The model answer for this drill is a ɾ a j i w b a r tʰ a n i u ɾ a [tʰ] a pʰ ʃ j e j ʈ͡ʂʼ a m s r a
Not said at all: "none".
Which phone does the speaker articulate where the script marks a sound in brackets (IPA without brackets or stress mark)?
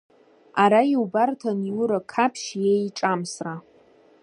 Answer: kʰ